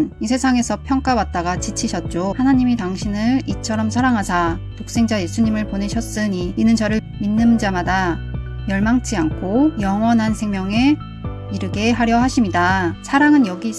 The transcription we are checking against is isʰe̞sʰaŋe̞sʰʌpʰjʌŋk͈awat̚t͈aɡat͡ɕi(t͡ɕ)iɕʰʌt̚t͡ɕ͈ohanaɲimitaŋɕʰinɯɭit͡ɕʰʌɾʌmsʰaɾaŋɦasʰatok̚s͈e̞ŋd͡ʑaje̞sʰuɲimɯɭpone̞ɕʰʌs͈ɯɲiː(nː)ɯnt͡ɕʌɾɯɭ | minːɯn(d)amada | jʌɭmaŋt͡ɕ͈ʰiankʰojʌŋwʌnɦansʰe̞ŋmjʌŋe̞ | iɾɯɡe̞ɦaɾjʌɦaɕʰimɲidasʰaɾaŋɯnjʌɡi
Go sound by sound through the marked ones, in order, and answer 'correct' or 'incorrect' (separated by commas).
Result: incorrect, incorrect, incorrect